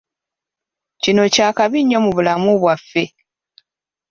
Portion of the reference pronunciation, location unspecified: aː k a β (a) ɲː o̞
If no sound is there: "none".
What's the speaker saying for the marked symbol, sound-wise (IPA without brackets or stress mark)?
i